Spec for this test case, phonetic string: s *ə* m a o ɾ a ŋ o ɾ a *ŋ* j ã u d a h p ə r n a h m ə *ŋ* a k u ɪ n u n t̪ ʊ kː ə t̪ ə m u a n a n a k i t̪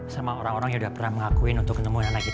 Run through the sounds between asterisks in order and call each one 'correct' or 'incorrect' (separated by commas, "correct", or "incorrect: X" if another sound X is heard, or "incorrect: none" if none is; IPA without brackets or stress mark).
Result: incorrect: a, correct, correct